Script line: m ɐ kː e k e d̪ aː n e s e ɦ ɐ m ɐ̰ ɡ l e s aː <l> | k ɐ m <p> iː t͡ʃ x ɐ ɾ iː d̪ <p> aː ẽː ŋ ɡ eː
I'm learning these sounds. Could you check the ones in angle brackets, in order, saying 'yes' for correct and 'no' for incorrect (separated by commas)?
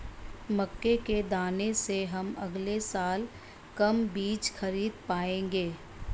yes, no, yes